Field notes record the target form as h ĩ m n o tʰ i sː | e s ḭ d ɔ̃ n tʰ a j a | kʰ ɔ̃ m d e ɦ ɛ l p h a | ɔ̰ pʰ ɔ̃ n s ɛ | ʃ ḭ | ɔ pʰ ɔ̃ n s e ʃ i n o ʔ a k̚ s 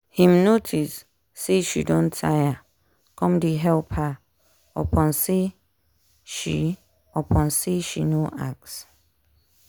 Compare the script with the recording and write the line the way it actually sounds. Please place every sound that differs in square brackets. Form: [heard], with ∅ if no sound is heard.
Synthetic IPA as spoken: h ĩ m n o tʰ i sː | e [ʃ] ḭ d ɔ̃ n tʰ a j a | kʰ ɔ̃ m d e ɦ ɛ l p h a | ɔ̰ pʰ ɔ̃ n s [e] | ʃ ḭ | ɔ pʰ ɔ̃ n s e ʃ i n o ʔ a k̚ s